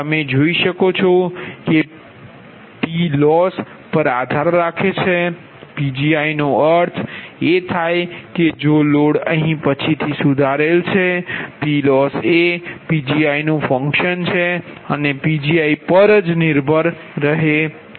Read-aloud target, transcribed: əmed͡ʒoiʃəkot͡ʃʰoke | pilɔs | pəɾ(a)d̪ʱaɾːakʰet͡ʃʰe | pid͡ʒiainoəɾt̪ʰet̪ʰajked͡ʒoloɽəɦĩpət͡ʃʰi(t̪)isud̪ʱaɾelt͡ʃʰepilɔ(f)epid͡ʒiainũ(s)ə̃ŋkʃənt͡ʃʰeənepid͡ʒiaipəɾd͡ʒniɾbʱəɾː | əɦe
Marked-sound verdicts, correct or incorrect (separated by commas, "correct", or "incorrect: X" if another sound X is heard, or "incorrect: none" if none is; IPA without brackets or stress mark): correct, incorrect: t̪ʰ, incorrect: s, incorrect: f